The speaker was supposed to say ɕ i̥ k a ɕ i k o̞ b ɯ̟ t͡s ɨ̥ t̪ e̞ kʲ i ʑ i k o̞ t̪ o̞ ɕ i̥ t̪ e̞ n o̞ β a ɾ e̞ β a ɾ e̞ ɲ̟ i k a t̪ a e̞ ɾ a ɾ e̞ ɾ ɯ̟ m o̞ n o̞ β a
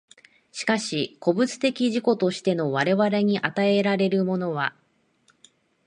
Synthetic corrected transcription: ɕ i̥ k a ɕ i k o̞ b ɯ̟ t͡s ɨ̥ t̪ e̞ kʲ i ʑ i k o̞ t̪ o̞ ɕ i̥ t̪ e̞ n o̞ β a ɾ e̞ β a ɾ e̞ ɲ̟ i ʔ a t̪ a e̞ ɾ a ɾ e̞ ɾ ɯ̟ m o̞ n o̞ β a